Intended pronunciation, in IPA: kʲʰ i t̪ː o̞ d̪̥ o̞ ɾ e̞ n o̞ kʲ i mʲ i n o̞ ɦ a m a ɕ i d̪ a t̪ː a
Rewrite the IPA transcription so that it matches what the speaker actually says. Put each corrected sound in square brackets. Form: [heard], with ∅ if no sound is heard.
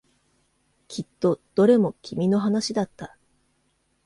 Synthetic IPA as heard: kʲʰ i t̪ː o̞ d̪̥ o̞ ɾ e̞ [m] o̞ kʲ i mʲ i n o̞ ɦ a [n] a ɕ i d̪ a t̪ː a